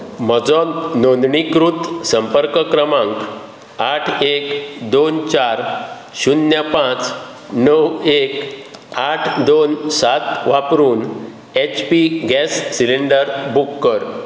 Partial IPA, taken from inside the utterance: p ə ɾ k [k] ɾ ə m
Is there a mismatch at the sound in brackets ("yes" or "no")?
no